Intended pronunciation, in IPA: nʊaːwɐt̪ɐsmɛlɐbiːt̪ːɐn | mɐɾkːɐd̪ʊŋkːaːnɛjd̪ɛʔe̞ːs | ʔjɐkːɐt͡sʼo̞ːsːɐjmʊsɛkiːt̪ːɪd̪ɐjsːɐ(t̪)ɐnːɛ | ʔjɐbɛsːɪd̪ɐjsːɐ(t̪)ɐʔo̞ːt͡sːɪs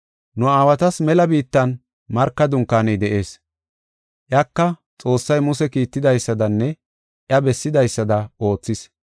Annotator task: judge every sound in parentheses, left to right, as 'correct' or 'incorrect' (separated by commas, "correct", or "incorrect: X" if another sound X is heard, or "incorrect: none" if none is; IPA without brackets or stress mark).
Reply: incorrect: d̪, incorrect: d̪